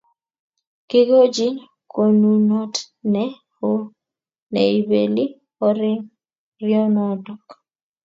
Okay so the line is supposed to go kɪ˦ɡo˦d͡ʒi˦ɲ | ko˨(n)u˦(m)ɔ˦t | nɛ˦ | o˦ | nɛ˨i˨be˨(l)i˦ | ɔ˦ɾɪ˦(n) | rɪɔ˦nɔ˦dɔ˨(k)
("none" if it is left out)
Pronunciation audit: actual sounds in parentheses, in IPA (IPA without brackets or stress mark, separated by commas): n, n, l, ŋ, k